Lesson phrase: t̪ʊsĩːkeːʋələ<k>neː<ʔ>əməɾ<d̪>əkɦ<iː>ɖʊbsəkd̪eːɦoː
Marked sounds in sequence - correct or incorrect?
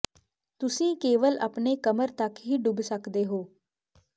incorrect, incorrect, incorrect, correct

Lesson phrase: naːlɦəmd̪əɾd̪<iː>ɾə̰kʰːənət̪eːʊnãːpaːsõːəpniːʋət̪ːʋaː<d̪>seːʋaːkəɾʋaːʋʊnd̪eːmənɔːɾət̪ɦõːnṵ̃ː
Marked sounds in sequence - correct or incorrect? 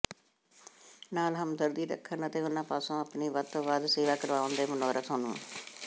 correct, correct

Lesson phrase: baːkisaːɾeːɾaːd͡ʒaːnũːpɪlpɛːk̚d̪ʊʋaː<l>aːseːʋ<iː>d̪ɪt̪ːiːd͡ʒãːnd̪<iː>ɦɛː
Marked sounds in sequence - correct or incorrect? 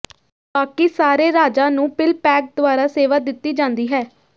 incorrect, incorrect, correct

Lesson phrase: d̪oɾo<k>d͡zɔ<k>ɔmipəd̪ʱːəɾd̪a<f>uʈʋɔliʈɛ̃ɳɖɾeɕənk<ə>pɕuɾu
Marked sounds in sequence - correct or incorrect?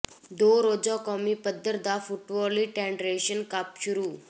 incorrect, correct, correct, incorrect

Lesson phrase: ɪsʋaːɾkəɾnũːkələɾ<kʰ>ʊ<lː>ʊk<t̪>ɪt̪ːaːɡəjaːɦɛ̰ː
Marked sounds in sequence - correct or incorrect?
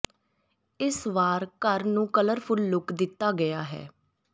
incorrect, correct, incorrect

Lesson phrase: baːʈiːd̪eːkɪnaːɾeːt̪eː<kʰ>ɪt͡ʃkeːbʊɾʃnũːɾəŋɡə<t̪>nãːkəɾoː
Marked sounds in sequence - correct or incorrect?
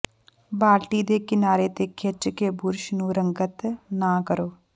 correct, correct

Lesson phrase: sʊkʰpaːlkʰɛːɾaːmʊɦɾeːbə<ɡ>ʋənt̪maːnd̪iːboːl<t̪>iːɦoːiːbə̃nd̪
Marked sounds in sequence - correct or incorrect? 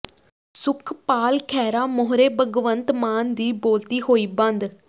correct, correct

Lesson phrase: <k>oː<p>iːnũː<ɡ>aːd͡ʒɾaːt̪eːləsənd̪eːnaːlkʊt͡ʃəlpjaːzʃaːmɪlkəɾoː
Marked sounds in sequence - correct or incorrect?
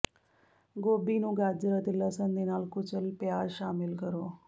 incorrect, incorrect, correct

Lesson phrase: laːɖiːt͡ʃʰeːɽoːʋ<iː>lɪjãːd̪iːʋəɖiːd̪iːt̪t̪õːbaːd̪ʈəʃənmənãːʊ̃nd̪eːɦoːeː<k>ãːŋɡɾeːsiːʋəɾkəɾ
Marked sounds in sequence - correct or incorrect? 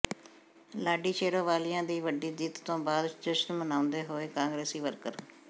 incorrect, correct

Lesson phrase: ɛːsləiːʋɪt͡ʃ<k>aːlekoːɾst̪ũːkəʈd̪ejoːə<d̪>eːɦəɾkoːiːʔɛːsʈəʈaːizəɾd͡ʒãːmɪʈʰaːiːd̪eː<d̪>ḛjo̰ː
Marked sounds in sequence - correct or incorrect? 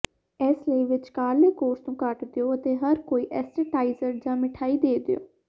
correct, incorrect, correct

